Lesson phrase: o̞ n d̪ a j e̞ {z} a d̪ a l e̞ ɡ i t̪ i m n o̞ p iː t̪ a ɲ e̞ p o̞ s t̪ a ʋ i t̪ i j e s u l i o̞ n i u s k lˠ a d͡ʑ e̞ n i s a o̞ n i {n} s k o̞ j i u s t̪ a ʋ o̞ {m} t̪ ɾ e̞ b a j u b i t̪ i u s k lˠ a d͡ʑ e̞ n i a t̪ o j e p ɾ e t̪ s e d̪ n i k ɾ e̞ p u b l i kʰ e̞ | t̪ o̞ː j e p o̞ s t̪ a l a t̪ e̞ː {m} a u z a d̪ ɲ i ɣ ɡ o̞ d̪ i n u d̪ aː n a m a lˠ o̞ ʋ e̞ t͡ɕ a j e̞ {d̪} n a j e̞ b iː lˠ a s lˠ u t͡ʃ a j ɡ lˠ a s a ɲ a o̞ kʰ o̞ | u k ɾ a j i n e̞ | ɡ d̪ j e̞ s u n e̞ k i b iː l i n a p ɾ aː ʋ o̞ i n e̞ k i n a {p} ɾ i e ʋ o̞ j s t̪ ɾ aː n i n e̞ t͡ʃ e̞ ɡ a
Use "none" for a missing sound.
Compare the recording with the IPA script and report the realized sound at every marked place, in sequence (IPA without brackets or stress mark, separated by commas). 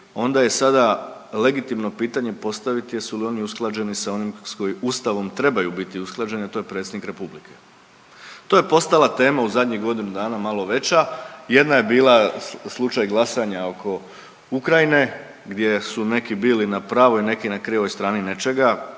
s, m, m, m, d̪, k